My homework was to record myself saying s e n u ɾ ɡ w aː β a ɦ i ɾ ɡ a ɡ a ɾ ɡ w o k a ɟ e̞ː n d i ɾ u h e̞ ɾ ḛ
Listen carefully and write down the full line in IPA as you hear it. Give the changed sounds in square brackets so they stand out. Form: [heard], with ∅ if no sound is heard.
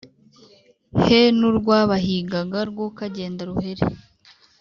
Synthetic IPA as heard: [h] e n u ɾ ɡ w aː β a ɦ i [∅] ɡ a ɡ a ɾ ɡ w o k a ɟ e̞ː n d [a] ɾ u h e̞ ɾ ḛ